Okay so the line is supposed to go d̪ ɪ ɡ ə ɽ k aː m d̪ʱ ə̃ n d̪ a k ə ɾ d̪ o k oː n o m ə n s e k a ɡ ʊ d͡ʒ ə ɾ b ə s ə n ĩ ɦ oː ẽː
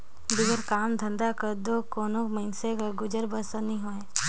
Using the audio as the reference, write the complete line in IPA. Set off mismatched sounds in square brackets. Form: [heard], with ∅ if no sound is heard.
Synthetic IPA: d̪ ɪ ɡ ə [ɾ] k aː m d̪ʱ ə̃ n d̪ a k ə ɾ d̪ o k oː n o m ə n s e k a ɡ ʊ d͡ʒ ə ɾ b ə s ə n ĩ ɦ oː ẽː